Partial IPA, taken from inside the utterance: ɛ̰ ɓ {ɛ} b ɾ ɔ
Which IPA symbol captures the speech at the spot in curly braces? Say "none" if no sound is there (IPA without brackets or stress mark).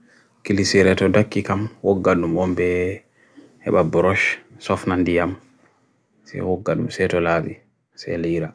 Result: a